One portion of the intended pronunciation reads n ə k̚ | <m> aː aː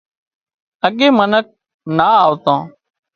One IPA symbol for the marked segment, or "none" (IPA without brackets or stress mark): n